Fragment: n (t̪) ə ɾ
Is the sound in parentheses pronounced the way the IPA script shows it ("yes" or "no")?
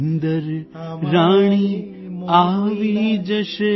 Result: no